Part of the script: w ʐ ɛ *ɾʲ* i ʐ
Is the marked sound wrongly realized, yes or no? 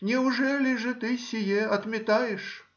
yes